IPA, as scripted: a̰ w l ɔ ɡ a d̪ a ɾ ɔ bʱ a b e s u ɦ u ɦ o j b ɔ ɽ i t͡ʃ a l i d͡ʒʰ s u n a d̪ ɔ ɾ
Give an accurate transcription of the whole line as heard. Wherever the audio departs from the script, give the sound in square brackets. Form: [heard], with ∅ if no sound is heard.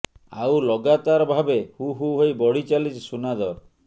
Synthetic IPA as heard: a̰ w l ɔ ɡ a [t̪] a ɾ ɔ bʱ a b e [h] u ɦ u ɦ o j b ɔ ɽ i t͡ʃ a l i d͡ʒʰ s u n a d̪ ɔ ɾ